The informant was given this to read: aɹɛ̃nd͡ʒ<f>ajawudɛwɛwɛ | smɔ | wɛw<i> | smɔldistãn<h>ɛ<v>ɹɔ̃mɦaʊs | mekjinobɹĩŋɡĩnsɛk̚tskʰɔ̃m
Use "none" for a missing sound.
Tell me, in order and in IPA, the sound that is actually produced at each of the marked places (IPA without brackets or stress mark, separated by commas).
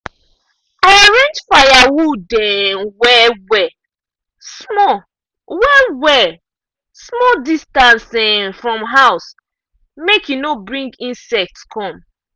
f, ɛ, s, f